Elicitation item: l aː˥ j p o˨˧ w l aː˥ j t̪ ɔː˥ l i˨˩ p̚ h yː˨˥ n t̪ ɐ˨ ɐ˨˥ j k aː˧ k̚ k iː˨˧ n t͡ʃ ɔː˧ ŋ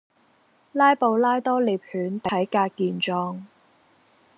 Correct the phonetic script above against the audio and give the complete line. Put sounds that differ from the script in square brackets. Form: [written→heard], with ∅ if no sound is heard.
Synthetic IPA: l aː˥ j p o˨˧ w l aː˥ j t̪ ɔː˥ l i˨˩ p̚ h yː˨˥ n t̪ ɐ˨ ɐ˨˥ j k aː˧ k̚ k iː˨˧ n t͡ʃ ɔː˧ ŋ